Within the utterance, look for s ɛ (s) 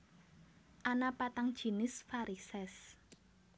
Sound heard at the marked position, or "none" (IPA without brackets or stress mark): s